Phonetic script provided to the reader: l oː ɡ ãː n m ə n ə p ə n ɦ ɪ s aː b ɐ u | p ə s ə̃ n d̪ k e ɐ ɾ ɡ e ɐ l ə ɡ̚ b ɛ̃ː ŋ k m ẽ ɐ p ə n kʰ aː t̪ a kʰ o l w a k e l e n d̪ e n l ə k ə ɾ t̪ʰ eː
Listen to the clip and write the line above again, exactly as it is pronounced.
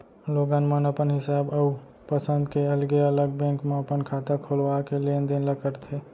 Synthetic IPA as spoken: l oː ɡ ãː n m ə n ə p ə n ɦ ɪ s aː b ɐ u | p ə s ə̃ n d̪ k e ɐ l ɡ e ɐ l ə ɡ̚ b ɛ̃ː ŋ k m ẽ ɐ p ə n kʰ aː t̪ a kʰ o l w a k e l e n d̪ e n l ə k ə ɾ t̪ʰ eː